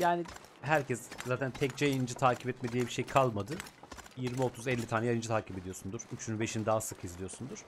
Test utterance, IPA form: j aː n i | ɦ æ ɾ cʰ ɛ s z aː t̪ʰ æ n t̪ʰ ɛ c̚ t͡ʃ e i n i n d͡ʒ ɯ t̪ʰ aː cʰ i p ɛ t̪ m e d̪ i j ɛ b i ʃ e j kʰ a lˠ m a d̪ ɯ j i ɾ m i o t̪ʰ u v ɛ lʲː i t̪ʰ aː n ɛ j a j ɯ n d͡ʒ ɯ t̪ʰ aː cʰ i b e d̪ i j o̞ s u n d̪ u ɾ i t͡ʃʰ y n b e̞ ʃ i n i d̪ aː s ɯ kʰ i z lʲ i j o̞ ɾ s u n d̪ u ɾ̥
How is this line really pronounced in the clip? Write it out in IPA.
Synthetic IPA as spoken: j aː n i | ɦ æ ɾ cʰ ɛ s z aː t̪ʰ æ n t̪ʰ ɛ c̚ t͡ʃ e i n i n d͡ʒ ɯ t̪ʰ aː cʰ i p ɛ t̪ m e d̪ i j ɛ b i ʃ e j kʰ a lˠ m a d̪ ɯ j i ɾ m i o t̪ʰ u z ɛ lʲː i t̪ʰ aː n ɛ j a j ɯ n d͡ʒ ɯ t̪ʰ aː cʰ i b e d̪ i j o̞ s u n d̪ u ɾ y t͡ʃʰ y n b e̞ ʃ i n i d̪ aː s ɯ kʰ i z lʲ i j o̞ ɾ s u n d̪ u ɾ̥